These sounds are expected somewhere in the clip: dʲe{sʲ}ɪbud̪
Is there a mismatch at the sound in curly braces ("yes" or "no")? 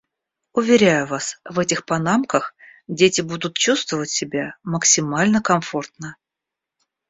yes